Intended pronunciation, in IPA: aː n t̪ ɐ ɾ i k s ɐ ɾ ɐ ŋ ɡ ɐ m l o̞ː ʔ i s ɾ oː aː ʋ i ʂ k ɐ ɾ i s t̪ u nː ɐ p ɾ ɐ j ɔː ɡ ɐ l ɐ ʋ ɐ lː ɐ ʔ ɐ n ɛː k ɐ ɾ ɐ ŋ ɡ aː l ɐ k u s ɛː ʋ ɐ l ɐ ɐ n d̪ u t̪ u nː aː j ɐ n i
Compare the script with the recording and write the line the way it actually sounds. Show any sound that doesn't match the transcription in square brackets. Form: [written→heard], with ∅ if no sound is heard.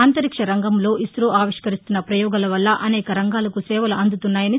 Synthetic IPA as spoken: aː n t̪ ɐ ɾ i k [s→ʂ] ɐ ɾ ɐ ŋ ɡ ɐ m l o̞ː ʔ i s ɾ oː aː ʋ i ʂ k ɐ ɾ i s t̪ u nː ɐ p ɾ ɐ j ɔː ɡ ɐ l ɐ ʋ ɐ lː ɐ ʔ ɐ n ɛː k ɐ ɾ ɐ ŋ ɡ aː l ɐ k u s ɛː ʋ ɐ l ɐ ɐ n d̪ u t̪ u nː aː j ɐ n i